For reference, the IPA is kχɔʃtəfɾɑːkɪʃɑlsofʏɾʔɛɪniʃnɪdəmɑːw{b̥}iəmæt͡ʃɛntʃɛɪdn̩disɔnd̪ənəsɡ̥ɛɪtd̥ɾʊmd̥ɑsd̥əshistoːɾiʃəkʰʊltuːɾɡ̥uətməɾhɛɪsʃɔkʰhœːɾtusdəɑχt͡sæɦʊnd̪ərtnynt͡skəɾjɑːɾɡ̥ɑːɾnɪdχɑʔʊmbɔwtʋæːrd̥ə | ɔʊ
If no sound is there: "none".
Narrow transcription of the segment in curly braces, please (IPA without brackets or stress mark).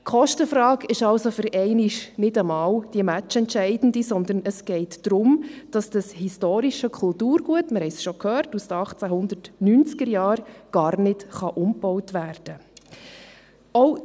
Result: d̥